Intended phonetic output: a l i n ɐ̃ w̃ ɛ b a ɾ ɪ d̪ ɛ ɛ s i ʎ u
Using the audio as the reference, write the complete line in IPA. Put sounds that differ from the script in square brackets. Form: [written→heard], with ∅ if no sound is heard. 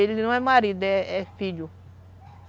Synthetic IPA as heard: [a→e] l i n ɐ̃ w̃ ɛ [b→m] a ɾ [ɪ→i] d̪ ɛ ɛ [s→f] i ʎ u

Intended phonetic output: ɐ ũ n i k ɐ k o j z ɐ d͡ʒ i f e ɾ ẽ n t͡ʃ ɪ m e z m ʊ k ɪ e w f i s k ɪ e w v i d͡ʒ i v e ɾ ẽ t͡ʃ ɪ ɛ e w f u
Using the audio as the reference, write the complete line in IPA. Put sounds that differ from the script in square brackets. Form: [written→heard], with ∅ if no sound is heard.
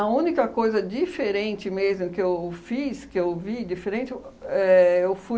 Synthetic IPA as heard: ɐ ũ n i k ɐ k o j z ɐ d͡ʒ i f e ɾ ẽ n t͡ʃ ɪ m e z m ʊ k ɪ e w f i s k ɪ e w v i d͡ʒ i [v→f] e ɾ ẽ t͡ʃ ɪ ɛ e w f u

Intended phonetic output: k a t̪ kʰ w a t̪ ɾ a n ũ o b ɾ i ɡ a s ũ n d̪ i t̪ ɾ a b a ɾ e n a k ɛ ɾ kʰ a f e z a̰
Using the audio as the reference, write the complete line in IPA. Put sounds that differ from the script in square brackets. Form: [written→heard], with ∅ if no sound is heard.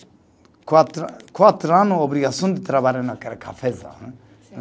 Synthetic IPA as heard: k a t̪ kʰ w a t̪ ɾ a n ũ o b ɾ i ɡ a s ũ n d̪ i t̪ ɾ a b a ɾ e n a k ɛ ɾ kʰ a f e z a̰

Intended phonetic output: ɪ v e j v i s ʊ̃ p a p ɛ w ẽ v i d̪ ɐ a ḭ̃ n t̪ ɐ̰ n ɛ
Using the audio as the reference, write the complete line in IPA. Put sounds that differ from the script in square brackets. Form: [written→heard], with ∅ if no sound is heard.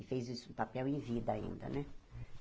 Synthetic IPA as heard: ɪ [v→f] e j [v→z] i s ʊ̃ p a p ɛ w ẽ v i d̪ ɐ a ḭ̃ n [t̪→d̪] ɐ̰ n ɛ

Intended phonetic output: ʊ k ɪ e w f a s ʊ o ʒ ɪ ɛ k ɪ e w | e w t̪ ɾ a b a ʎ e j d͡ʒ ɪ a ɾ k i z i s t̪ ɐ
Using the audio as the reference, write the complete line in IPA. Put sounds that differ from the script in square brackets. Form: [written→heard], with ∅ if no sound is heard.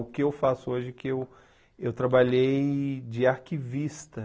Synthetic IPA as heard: ʊ k ɪ e w f a s ʊ o ʒ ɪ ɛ k ɪ e w | e w t̪ ɾ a b a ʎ e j d͡ʒ ɪ a ɾ k i [z→v] i s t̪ ɐ

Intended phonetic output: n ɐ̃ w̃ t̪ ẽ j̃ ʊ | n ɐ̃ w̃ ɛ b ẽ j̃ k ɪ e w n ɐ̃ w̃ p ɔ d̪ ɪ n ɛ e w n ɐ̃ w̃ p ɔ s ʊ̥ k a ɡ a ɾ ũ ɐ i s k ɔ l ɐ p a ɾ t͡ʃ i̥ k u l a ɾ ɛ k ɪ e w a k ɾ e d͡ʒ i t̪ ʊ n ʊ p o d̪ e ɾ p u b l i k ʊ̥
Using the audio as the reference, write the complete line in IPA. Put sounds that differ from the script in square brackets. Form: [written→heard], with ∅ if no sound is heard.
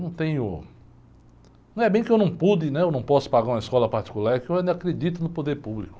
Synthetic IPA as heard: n ɐ̃ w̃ t̪ ẽ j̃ ʊ | n ɐ̃ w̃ ɛ b ẽ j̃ k ɪ e w n ɐ̃ w̃ p [ɔ→u] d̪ ɪ n ɛ e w n ɐ̃ w̃ p ɔ s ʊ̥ [k→p] a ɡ a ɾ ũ ɐ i s k ɔ l ɐ p a ɾ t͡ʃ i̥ k u l a ɾ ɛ k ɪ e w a k ɾ e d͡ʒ i t̪ ʊ n ʊ p o d̪ e ɾ p u b l i k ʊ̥

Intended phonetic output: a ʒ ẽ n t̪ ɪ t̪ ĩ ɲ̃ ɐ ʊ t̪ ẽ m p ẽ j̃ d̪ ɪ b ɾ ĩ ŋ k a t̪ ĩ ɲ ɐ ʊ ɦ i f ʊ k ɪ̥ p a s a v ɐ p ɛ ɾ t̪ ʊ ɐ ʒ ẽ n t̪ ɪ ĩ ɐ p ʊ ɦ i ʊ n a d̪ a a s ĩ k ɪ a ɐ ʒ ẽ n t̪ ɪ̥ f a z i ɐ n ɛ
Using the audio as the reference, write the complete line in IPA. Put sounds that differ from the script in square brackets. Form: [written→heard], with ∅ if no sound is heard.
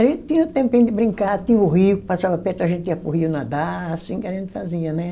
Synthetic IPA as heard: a ʒ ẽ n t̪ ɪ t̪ ĩ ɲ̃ ɐ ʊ t̪ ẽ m p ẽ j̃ d̪ ɪ b ɾ ĩ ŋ k a t̪ ĩ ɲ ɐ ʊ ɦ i [f→∅] ʊ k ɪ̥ p a s a v ɐ p ɛ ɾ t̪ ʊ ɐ ʒ ẽ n t̪ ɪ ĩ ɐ p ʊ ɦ i ʊ n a d̪ a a s ĩ k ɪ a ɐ ʒ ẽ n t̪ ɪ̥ f a z i ɐ n ɛ

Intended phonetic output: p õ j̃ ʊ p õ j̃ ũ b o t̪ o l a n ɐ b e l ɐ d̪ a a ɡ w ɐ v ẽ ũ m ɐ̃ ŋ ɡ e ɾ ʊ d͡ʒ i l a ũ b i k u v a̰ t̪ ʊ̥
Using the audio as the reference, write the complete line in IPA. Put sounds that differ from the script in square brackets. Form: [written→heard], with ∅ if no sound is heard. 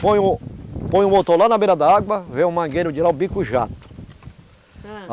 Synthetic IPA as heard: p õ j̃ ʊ p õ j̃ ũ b o t̪ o l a n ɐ b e [l→ɾ] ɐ d̪ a a ɡ w ɐ v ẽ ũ m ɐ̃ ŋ ɡ e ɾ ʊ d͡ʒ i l a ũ b i k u [v→ʒ] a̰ t̪ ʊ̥

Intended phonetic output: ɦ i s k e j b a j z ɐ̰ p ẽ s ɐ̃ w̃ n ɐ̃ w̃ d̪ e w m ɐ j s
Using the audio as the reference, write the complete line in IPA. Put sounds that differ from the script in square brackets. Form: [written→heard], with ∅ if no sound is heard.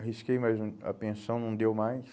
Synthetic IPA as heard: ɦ i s k e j [b→m] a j z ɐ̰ p ẽ s ɐ̃ w̃ n ɐ̃ w̃ d̪ e w m [ɐ→a] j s

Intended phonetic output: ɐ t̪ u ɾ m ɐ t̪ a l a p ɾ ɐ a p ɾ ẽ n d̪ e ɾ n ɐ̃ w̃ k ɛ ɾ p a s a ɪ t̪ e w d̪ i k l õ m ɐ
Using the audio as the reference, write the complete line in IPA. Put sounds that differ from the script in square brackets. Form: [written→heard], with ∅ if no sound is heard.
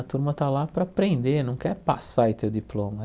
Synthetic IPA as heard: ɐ t̪ u ɾ m ɐ t̪ a l a p ɾ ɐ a p ɾ ẽ n d̪ e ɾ n ɐ̃ w̃ k ɛ ɾ p a s a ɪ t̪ e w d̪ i [k→p] l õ m ɐ

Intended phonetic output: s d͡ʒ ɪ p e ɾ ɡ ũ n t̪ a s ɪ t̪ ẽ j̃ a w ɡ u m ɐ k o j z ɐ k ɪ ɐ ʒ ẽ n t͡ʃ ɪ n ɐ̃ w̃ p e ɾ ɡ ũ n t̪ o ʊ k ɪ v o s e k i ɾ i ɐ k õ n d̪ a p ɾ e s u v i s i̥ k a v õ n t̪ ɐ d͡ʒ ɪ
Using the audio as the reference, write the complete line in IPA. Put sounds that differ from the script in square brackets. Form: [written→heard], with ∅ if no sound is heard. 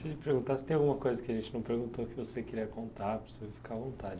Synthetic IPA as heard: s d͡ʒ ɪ p e ɾ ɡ ũ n t̪ a s ɪ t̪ ẽ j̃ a w ɡ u m ɐ k o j z ɐ k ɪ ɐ ʒ ẽ n t͡ʃ ɪ n ɐ̃ w̃ p e ɾ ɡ ũ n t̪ o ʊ k ɪ v o s e k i ɾ i ɐ k õ n [d̪→t̪] a p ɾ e s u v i [s→f] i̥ k a v õ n t̪ [ɐ→a] d͡ʒ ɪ

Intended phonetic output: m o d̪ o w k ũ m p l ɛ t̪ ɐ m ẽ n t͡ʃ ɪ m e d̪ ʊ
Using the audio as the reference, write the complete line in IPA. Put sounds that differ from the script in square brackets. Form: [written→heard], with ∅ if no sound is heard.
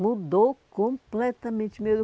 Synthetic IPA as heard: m [o→u] d̪ o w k [ũ→õ] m p l ɛ t̪ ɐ m ẽ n t͡ʃ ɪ m e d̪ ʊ

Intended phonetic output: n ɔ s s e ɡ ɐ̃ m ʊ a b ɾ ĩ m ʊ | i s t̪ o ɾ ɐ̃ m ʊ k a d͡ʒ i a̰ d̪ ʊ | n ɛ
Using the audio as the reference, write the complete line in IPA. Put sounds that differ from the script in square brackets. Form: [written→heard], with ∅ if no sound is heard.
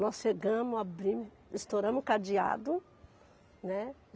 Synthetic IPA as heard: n ɔ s [s→ʃ] e ɡ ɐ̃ m ʊ a b ɾ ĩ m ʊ | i s t̪ o ɾ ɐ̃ m ʊ k a d͡ʒ i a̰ d̪ ʊ | n ɛ

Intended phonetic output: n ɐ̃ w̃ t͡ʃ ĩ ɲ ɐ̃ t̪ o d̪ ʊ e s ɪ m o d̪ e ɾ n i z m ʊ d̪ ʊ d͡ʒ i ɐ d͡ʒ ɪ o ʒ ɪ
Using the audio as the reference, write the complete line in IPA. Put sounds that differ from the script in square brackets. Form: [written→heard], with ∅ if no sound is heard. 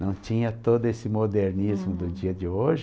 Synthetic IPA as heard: n ɐ̃ w̃ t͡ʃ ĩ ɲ [ɐ̃→ɐ] t̪ o d̪ ʊ e s ɪ m o d̪ e ɾ n i z m ʊ d̪ ʊ d͡ʒ i ɐ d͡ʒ ɪ o ʒ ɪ

